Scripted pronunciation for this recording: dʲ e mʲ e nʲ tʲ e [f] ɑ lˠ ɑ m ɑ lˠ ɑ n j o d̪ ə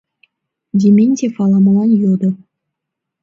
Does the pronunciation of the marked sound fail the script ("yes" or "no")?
no